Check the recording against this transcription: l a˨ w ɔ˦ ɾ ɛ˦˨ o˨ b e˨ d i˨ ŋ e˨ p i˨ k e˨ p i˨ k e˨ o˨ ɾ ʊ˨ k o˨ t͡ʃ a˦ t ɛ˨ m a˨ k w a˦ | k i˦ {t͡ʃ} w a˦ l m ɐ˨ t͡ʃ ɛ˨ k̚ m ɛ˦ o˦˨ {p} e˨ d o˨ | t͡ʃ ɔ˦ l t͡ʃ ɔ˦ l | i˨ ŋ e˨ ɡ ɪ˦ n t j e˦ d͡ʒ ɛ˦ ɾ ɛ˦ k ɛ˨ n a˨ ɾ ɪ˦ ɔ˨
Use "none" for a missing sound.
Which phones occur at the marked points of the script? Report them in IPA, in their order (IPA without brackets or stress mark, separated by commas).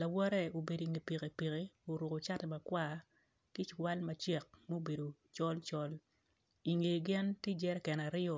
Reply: t͡ʃ, b